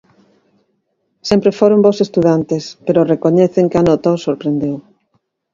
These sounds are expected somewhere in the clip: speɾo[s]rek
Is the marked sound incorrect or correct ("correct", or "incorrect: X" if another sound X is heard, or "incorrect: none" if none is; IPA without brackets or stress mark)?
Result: incorrect: none